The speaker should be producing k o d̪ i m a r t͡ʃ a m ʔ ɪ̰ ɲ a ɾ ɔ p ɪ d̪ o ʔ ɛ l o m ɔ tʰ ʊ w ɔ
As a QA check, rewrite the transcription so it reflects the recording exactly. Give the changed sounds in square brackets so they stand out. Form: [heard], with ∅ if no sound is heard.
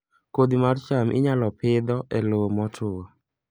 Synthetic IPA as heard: k o d̪ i m a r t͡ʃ a m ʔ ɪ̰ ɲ a [l] ɔ p ɪ d̪ [ɔ] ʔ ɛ l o m ɔ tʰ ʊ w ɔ